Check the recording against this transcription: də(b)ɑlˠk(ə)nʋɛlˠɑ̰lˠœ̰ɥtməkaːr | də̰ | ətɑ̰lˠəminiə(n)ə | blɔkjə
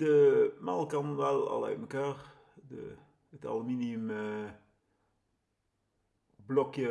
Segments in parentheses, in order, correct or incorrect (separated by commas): incorrect, incorrect, incorrect